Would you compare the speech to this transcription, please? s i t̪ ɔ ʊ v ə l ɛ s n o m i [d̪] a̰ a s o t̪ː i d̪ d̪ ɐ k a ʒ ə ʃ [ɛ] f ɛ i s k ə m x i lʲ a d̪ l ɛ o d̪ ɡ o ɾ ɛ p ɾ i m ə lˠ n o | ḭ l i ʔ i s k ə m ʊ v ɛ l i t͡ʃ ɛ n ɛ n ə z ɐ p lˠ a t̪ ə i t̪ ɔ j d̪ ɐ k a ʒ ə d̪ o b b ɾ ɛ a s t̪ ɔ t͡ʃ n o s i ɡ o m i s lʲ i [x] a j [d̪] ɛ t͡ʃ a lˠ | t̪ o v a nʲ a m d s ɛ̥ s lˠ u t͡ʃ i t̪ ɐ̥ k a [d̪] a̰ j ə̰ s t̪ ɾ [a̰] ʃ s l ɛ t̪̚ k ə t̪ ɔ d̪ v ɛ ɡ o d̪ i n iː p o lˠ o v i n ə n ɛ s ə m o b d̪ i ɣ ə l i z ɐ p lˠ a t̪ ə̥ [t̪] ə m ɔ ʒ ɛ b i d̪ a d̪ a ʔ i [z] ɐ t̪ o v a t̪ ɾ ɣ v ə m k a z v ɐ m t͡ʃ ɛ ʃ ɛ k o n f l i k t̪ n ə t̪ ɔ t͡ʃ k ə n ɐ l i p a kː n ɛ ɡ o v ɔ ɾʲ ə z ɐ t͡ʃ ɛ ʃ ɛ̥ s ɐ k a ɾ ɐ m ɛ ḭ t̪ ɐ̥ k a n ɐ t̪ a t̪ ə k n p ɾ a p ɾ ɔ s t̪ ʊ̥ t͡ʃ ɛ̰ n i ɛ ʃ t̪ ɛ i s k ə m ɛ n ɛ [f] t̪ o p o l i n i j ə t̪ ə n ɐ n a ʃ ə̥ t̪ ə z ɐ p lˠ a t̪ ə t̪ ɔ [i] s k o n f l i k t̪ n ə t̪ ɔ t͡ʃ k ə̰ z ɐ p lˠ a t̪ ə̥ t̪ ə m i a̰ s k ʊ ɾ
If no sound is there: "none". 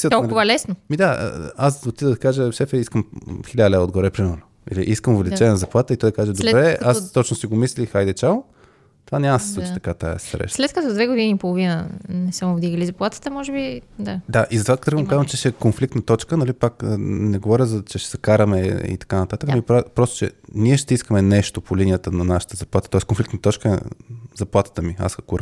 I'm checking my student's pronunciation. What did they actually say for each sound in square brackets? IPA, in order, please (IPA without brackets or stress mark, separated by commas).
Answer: d̪, ɛ, x, d̪, t̪, ɛ̰, t̪, z, ʃ, ɛ